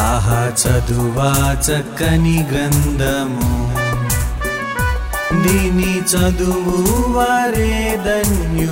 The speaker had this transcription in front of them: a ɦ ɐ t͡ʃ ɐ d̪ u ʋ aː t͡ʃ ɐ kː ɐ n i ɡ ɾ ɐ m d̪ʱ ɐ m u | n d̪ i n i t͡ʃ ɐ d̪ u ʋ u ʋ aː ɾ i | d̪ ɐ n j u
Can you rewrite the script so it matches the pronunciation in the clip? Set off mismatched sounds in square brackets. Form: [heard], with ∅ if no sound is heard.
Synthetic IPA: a ɦ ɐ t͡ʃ ɐ d̪ u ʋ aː t͡ʃ ɐ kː ɐ n i ɡ ɾ ɐ [n] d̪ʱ ɐ m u | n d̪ i n i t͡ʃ ɐ d̪ u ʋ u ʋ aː ɾ [e] | d̪ ɐ n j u